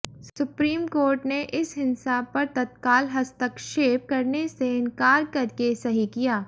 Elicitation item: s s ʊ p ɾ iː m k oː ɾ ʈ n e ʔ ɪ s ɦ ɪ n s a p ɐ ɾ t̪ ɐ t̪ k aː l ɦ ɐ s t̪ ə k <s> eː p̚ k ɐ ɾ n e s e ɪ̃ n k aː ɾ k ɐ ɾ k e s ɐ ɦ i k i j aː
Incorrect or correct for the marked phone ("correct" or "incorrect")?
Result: incorrect